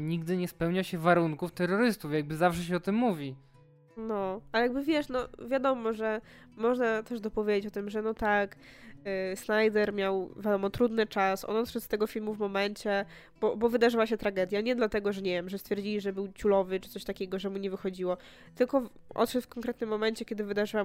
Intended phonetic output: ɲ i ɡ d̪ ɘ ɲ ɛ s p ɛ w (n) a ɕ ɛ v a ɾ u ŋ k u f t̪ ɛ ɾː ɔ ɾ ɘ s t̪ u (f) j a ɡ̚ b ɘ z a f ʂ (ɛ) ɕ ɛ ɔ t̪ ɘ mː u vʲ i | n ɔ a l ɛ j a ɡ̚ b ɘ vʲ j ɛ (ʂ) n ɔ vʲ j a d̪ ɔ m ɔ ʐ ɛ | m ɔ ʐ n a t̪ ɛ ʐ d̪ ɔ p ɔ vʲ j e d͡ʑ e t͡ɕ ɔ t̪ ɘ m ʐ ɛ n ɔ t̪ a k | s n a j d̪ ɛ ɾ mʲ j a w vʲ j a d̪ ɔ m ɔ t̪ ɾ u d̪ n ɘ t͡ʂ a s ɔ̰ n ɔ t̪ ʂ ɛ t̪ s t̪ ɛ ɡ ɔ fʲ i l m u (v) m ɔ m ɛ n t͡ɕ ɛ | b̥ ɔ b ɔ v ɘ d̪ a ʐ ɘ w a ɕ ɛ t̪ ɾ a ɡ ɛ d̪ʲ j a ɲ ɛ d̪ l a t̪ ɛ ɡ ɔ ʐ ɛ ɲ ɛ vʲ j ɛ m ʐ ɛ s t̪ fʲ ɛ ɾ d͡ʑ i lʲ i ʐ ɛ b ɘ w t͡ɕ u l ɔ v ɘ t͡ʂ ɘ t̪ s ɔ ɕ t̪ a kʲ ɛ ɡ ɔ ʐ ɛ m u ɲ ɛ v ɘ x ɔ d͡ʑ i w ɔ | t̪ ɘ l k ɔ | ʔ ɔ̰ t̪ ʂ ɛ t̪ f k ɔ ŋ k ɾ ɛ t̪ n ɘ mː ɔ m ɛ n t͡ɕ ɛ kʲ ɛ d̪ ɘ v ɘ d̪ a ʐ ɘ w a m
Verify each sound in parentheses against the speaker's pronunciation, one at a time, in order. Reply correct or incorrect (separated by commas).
incorrect, correct, correct, correct, correct